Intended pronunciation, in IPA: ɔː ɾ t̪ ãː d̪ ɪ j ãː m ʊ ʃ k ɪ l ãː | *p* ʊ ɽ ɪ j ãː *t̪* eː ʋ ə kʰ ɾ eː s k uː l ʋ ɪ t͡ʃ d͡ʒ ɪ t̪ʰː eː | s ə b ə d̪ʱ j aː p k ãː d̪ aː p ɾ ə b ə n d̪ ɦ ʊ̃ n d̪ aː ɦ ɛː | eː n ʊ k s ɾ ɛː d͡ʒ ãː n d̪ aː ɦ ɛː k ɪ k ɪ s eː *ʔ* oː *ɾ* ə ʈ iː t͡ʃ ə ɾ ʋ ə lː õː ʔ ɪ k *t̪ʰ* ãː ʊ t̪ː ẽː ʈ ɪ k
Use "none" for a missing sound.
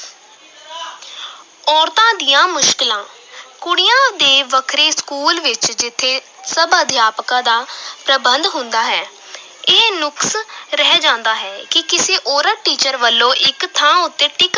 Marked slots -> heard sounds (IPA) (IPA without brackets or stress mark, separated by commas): k, d̪, ʔ, ɾ, t̪ʰ